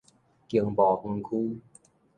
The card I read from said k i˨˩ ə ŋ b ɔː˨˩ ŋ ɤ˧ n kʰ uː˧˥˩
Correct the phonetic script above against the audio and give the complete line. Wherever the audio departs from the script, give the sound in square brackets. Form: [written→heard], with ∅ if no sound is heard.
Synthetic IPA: k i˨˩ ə ŋ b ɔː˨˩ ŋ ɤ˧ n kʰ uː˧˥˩